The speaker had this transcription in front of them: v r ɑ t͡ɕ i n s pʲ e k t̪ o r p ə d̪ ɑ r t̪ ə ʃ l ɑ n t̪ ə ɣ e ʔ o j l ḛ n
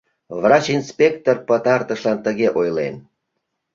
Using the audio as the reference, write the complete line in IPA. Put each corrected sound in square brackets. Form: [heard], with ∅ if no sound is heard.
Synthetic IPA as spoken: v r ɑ t͡ɕ i n s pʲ e k t̪ o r p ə [t̪] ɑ r t̪ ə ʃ l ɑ n t̪ ə ɣ e ʔ o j l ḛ n